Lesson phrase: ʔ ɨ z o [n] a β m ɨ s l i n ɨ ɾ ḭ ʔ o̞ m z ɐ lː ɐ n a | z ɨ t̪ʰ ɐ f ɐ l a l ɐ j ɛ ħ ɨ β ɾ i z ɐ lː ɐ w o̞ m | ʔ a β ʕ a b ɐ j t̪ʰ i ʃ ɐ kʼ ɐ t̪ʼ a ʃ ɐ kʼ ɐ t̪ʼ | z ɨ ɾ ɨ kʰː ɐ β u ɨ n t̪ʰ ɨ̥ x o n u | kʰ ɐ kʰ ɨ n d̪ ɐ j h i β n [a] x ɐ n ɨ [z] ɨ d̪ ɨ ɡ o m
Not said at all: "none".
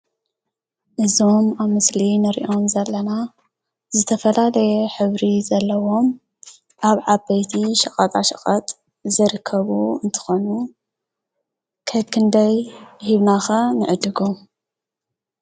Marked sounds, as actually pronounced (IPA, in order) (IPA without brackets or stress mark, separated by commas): m, a, ʕ